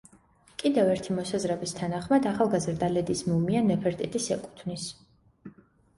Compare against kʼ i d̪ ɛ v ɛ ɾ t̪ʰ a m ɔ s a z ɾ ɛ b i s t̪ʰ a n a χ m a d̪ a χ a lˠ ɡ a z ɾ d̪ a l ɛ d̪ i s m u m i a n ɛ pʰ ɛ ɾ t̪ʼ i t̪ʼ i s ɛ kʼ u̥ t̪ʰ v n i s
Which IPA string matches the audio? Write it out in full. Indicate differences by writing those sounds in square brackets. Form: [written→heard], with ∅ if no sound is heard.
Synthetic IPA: kʼ i d̪ ɛ v ɛ ɾ t̪ʰ [a→i] m ɔ s a z ɾ ɛ b i s t̪ʰ a n a χ m a d̪ a χ a lˠ ɡ a z ɾ d̪ a l ɛ d̪ i s m u m i a n ɛ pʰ ɛ ɾ t̪ʼ i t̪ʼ i s ɛ kʼ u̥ t̪ʰ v n i s

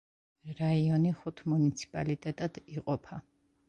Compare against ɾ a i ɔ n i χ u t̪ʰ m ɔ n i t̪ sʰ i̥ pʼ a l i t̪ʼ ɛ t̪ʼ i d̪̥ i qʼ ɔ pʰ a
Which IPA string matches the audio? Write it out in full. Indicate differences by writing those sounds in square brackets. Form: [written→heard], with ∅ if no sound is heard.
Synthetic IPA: ɾ a i ɔ n i χ u t̪ʰ m [ɔ→u] n i t̪ sʰ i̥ pʼ a l i t̪ʼ ɛ t̪ʼ [i→a] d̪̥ i qʼ ɔ pʰ a

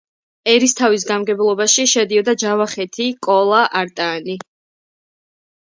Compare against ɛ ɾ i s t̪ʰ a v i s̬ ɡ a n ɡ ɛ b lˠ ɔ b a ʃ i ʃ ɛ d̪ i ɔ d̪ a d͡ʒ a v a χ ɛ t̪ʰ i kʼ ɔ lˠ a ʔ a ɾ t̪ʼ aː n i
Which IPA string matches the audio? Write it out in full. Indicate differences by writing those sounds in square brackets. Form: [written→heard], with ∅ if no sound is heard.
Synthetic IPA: ɛ ɾ i s t̪ʰ a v i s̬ ɡ a [n→m] ɡ ɛ b lˠ ɔ b a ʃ i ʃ ɛ d̪ i ɔ d̪ a d͡ʒ a v a χ ɛ t̪ʰ i kʼ ɔ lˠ a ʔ a ɾ t̪ʼ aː n i

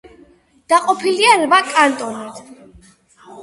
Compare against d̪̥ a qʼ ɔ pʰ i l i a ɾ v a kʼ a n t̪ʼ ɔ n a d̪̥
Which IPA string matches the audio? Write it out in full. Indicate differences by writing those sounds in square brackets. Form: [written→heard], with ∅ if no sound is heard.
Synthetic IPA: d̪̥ a qʼ ɔ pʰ i l i a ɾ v a kʼ a n t̪ʼ ɔ n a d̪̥

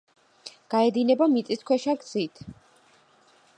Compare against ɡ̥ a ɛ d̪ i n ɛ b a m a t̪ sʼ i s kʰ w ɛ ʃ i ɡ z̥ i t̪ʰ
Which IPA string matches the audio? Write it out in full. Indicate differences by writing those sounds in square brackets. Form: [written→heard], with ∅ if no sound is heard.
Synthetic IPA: ɡ̥ a ɛ d̪ i n ɛ b a m [a→i] t̪ sʼ i s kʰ w ɛ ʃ [i→a] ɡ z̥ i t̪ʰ

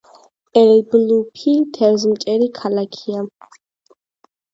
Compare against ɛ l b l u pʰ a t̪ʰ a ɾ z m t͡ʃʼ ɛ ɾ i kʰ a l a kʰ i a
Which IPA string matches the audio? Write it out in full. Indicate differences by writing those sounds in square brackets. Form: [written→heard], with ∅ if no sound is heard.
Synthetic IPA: ɛ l b l u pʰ [a→i] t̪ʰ [a→ɛ] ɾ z m t͡ʃʼ ɛ ɾ i kʰ a l a kʰ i a

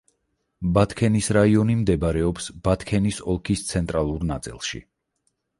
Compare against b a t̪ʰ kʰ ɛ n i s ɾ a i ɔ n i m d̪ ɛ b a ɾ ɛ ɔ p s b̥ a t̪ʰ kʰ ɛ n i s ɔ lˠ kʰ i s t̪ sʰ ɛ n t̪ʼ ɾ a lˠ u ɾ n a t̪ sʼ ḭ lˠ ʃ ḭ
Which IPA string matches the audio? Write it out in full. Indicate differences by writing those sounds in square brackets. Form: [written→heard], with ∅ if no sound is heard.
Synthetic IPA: b a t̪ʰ kʰ ɛ n i s ɾ a i ɔ n i m d̪ ɛ b a ɾ ɛ ɔ p s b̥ a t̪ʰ kʰ ɛ n i s ɔ lˠ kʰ i s t̪ sʰ ɛ n t̪ʼ ɾ a lˠ u ɾ n a t̪ sʼ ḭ lˠ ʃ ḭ

